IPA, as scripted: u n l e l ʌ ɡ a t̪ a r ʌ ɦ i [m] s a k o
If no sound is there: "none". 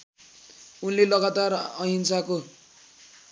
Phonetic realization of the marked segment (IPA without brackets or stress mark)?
n